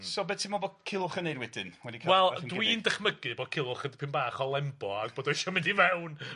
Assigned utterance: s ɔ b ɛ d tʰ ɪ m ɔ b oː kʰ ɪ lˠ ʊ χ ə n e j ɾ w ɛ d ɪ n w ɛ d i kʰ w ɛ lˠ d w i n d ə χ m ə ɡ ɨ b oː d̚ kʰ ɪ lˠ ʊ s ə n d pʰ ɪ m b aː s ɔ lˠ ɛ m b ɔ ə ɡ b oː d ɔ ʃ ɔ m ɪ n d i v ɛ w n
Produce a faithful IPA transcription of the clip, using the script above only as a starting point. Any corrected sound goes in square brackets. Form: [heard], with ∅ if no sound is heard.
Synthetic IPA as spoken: s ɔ b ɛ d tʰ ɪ m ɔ b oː kʰ ɪ lˠ ʊ χ ə n e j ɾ w ɛ d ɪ n w ɛ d i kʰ w ɛ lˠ d w i n d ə χ m ə ɡ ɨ b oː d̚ kʰ ɪ lˠ ʊ [χ] ə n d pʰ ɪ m b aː [χ] ɔ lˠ ɛ m b ɔ [a] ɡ b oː d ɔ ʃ ɔ m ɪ n d i v ɛ w n